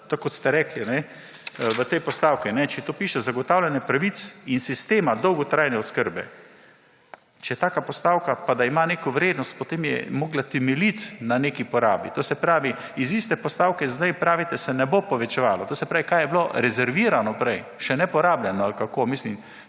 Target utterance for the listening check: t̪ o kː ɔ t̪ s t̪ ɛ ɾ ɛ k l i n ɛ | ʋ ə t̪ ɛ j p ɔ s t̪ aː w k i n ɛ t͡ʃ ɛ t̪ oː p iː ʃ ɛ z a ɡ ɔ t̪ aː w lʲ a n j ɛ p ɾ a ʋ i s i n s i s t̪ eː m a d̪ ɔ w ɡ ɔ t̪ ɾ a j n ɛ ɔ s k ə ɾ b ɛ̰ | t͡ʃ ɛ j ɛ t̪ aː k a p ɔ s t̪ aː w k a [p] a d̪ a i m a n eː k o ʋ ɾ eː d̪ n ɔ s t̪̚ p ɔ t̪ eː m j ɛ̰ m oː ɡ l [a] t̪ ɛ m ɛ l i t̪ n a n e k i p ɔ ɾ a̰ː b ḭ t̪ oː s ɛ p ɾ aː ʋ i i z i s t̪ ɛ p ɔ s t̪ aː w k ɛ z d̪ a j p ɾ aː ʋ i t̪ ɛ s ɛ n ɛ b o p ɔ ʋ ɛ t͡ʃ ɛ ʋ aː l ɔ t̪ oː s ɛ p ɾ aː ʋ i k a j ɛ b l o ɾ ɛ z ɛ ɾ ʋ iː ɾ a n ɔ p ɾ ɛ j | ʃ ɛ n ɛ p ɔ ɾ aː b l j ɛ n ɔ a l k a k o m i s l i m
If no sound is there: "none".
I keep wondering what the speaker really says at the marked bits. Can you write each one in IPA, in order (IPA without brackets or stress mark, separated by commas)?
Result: p, a